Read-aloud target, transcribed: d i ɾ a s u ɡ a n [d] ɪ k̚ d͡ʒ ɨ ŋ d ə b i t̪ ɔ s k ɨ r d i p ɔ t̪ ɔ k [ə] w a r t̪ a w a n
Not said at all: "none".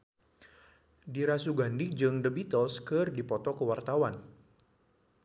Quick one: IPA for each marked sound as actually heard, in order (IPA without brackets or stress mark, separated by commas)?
d, ə